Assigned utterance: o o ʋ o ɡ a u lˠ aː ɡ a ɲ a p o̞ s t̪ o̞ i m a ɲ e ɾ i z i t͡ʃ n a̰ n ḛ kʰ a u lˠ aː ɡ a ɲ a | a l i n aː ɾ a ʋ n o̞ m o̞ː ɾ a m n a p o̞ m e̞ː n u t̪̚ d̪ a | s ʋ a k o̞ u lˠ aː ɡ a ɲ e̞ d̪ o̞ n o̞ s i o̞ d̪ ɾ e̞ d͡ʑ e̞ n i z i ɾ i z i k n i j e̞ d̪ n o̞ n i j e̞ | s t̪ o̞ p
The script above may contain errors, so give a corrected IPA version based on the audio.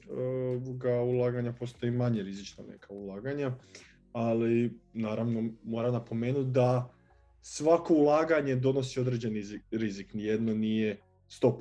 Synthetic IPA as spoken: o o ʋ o ɡ a u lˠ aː ɡ a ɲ a p o̞ s t̪ o̞ i m a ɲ e ɾ i z i t͡ʃ n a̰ n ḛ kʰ a u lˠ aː ɡ a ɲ a | a l i n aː ɾ a ʋ n o̞ m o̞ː ɾ a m n a p o̞ m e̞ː n u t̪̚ d̪ a | s ʋ a k o̞ u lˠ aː ɡ a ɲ e̞ d̪ o̞ n o̞ s i o̞ d̪ ɾ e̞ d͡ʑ e̞ n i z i ɾ i z i k n i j e̞ d̪ n o̞ n i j e̞ | s t̪ o̞ p